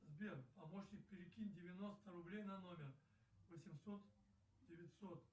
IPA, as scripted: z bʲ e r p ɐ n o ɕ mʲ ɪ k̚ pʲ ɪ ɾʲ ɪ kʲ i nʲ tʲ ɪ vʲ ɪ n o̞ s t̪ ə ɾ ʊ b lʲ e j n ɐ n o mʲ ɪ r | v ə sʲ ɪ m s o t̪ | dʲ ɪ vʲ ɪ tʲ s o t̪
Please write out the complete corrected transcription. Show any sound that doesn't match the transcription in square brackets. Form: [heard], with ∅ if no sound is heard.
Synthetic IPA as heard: z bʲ e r p ɐ [m] o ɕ [nʲ] ɪ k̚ pʲ ɪ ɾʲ ɪ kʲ i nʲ [dʲ] ɪ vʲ ɪ n o̞ s t̪ ə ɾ ʊ b lʲ e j n ɐ n o mʲ ɪ r | v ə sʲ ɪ m s o t̪ | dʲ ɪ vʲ ɪ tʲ s o t̪